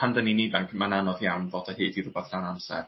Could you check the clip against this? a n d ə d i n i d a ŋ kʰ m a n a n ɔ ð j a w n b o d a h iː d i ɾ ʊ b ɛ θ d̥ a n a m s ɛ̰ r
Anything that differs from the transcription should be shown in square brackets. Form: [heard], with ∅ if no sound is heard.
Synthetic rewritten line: a n d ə [n] i n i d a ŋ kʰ m a n a n ɔ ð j a w n [v] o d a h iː d i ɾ ʊ b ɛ θ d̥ a n a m s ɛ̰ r